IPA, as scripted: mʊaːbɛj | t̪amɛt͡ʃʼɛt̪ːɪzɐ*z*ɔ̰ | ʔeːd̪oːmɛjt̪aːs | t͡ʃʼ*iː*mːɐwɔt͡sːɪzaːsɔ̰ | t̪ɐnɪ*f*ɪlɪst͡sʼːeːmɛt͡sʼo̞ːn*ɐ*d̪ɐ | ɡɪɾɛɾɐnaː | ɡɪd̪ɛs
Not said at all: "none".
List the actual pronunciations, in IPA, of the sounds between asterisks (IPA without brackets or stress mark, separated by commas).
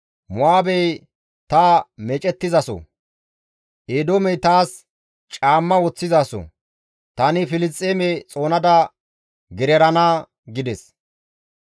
s, aː, f, ɐ